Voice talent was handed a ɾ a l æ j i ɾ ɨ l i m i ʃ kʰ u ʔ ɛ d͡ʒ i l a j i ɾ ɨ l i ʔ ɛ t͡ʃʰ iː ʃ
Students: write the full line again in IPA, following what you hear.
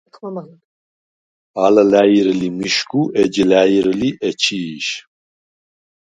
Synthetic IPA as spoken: a l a l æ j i ɾ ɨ l i m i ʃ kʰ u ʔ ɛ d͡ʒ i l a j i ɾ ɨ l i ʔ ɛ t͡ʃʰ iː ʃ